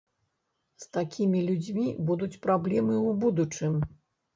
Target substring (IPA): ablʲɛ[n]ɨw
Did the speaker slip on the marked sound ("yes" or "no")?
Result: yes